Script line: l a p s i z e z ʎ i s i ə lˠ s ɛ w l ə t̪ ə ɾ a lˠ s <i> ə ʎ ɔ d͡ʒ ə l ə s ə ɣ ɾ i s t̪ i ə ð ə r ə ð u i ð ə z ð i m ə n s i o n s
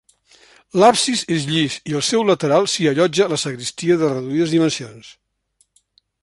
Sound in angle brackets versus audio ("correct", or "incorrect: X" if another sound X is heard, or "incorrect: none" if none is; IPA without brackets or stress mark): correct